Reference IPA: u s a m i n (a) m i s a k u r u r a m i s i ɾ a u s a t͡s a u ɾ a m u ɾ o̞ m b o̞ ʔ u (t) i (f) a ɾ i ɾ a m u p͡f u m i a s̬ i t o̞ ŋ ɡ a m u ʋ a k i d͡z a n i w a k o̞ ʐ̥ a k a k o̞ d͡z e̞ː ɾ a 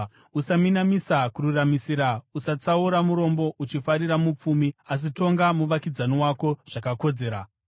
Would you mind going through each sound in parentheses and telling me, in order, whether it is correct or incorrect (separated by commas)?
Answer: correct, incorrect, correct